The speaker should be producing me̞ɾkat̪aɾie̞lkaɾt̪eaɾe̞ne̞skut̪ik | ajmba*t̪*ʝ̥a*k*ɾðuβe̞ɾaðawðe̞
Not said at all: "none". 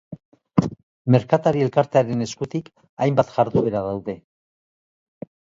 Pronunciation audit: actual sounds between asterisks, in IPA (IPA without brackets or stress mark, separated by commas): t̪, none